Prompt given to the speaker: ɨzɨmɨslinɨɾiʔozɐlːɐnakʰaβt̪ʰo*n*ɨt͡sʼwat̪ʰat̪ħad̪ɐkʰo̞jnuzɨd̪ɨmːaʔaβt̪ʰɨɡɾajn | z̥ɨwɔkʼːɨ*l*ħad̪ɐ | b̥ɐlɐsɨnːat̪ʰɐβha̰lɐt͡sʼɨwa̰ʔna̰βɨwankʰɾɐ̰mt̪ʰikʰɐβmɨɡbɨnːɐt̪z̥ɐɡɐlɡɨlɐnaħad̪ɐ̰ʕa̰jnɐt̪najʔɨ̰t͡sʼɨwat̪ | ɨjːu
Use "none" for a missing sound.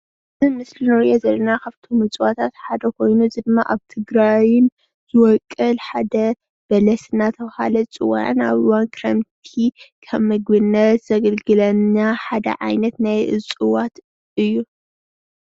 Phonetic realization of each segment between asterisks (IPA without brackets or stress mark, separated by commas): m, l